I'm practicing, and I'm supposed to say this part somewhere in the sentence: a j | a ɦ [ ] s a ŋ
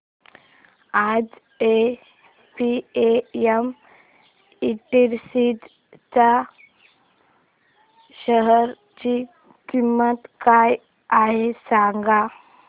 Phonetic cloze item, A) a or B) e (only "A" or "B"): B